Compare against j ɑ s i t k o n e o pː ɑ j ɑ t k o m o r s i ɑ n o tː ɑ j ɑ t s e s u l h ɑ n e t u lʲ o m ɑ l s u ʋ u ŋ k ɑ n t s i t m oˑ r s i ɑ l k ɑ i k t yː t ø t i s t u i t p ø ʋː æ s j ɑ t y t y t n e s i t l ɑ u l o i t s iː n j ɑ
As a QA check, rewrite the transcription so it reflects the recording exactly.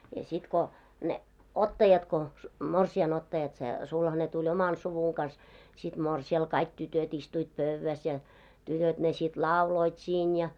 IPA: j ɑ s i t k o n e o tː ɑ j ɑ t k o m o r s i ɑ n o tː ɑ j ɑ t s e s u l h ɑ n e t u lʲ o m ɑ l s u ʋ u ŋ k ɑ n s s i t m oˑ r s i ɑ l k ɑ i k t y t ø t i s t u i t p ø ʋː æ s j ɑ t y t ø t n e s i t l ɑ u l o i t s iː n j ɑ

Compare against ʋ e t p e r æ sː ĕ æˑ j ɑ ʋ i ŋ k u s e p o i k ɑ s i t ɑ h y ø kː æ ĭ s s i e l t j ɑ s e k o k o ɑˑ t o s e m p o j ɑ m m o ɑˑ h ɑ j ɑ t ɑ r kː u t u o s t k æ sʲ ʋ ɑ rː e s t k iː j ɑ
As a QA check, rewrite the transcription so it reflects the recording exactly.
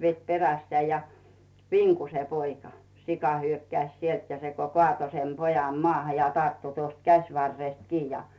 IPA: ʋ e t p e r æ sː ĕ æˑ j ɑ ʋ i ŋ k u s e p o i k ɑ s i k ɑ h y ø kː æ ĭ s s i e l t j ɑ s e k o k o ɑˑ t o s e m p o j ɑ m m o ɑˑ h ɑ j ɑ t ɑ r tː u t u o s t k æ sʲ ʋ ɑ rː e s t k iː j ɑ

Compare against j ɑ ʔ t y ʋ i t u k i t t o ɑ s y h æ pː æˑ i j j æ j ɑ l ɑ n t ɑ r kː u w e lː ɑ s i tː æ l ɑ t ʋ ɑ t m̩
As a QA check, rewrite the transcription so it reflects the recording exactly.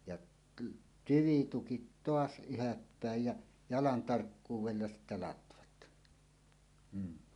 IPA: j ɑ ʔ t y ʋ i t u k i t t o ɑ s y h æ pː æˑ e j j æ j ɑ l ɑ n t ɑ r kː uː w e lː ɑ s i tː æ l ɑ t ʋ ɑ t m̩

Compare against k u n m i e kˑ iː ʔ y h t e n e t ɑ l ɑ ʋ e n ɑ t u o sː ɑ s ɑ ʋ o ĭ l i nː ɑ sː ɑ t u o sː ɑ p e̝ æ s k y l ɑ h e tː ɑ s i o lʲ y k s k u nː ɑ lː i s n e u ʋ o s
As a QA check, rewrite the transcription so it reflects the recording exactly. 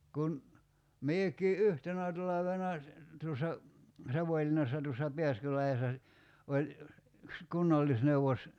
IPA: k u n m i e kˑ iː ʔ y h t e n æ t ɑ l ɑ ʋ e n ɑ t u o sː ɑ s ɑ ʋ o ĭ l i nː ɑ sː ɑ t u o sː ɑ p e̝ æ s k y l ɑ h e sː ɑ s i o lʲ y k s k u nː ɑ lː i s n e u ʋ o s

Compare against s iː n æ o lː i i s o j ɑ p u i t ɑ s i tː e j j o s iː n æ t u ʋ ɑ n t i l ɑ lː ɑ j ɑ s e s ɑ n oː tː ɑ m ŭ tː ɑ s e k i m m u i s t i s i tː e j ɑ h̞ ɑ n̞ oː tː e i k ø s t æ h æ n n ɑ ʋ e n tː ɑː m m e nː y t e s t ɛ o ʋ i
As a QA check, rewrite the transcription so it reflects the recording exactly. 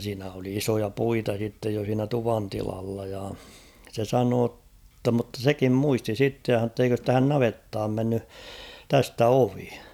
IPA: s iː n æ o l i i s o j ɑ p u i t ɑ s i tː e j j o s iː n æ t u ʋ ɑ n t i l ɑ lː ɑ j ɑ s e s ɑ n oː tː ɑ m ŭ tː ɑ s e k i m m u i s t i s i tː e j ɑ h̞ ɑ n̞ oː tː e i k ø s t æ h æ n n ɑ ʋ e tː ɑː m m e nː y t æ s t æ o ʋ i

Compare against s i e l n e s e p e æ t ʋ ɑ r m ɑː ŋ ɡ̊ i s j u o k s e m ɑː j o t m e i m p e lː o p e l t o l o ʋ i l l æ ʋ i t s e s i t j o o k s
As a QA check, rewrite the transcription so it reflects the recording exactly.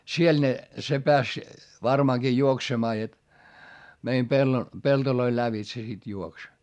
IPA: s i e l n e s e p e æ s ʋ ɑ r m ɑː ŋ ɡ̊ i j u o k s e m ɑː j o t m e i m p e lː o p e l t o l o i l l æ ʋ i t s e s i t j u o k s

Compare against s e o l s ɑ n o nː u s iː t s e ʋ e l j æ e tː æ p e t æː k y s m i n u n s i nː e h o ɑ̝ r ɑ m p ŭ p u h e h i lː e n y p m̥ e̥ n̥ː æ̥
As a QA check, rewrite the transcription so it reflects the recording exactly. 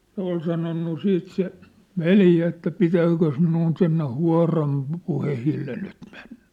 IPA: s e o l s ɑ n o nː u s iː t s e ʋ e l j æ e tː æ p i t æː k ø s m i n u n s i nː e h u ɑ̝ r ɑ m p ŭ p u h e h i lː e n y t m̥ e̥ n̥ː æ̥

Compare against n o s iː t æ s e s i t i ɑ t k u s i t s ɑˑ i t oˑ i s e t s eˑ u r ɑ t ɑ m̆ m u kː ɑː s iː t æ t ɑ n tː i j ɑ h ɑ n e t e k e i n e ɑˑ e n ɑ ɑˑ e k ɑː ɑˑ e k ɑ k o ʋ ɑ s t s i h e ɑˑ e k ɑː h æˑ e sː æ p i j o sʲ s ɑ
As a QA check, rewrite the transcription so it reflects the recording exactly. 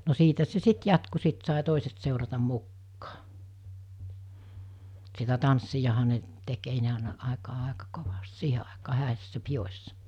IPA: n o s iː t æ s e s i t j ɑ t k u s i t s ɑˑ i t oˑ i s e t s eˑ u r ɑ t ɑ m̆ m u kː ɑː s i t æ t ɑ n sː i j ɑ h ɑ n e t e k e i n e ɑˑ e n ɑ ɑˑ e k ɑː ɑˑ e k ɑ k o ʋ ɑ s t s iː h e ɑˑ e k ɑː h æˑ e sː æ p i j o sʲ s ɑ

